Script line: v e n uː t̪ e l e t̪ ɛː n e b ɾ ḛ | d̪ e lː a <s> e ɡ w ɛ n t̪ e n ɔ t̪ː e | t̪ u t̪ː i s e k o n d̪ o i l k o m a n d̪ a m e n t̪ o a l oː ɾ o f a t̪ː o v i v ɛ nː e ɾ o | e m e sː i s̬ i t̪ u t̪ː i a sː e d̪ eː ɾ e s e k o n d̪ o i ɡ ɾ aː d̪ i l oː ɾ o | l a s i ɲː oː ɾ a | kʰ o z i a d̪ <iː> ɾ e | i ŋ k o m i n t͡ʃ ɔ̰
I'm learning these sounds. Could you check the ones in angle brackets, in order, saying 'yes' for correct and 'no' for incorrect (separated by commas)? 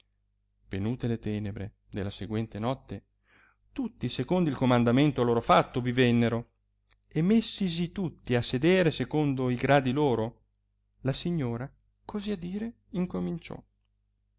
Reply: yes, yes